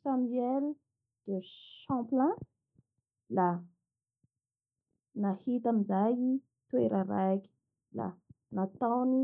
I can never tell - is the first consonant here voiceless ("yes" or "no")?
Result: yes